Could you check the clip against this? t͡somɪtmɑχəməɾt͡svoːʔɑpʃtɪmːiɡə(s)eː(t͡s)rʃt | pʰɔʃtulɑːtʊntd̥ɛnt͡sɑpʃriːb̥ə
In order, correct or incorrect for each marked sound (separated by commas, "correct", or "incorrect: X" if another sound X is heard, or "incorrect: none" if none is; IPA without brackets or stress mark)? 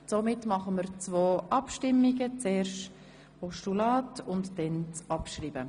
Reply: incorrect: t͡s, incorrect: none